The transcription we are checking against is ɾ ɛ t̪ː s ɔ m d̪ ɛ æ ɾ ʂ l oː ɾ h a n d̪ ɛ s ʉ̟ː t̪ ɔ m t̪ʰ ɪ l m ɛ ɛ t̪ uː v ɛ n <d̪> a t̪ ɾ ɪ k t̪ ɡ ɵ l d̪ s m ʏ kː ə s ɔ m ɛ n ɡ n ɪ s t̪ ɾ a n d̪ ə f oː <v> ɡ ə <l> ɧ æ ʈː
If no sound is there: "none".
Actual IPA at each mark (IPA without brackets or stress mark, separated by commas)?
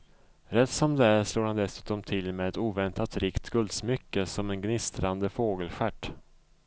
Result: t̪, none, l